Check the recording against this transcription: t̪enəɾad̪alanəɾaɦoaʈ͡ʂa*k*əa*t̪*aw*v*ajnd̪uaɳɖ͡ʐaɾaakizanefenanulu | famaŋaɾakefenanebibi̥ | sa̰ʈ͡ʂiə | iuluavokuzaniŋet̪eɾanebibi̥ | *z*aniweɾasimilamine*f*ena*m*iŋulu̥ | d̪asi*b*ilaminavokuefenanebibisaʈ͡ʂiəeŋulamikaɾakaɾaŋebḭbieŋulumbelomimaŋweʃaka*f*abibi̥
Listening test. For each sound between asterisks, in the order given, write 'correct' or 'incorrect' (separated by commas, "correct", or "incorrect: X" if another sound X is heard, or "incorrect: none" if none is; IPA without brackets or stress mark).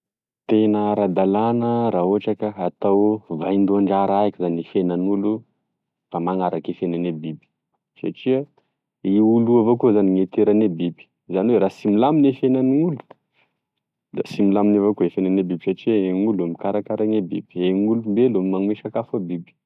correct, correct, correct, correct, correct, incorrect: n, incorrect: m, correct